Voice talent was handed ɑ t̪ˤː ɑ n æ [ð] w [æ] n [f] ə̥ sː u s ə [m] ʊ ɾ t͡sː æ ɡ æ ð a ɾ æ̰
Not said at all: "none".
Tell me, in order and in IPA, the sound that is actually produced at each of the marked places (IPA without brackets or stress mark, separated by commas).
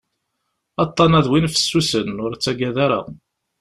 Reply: ð, i, f, n